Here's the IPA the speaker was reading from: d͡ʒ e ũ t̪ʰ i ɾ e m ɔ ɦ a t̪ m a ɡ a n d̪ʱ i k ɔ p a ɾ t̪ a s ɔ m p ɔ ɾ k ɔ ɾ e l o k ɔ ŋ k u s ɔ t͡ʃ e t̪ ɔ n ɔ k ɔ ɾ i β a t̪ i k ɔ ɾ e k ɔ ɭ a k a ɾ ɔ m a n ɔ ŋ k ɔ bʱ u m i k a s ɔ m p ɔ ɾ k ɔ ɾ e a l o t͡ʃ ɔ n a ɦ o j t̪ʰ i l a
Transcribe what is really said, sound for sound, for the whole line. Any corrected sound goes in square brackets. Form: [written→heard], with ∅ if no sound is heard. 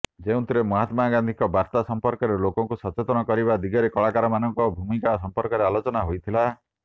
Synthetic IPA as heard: d͡ʒ e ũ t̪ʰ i ɾ e m ɔ ɦ a t̪ m a ɡ a n d̪ʱ i k ɔ [p→b] a ɾ t̪ a s ɔ m p ɔ ɾ k ɔ ɾ e l o k ɔ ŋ k u s ɔ t͡ʃ e t̪ ɔ n ɔ k ɔ ɾ i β a [t̪→d̪] i [k→ɡ] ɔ ɾ e k ɔ ɭ a k a ɾ ɔ m a n ɔ ŋ k ɔ bʱ u m i k a s ɔ m p ɔ ɾ k ɔ ɾ e a l o t͡ʃ ɔ n a ɦ o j t̪ʰ i l a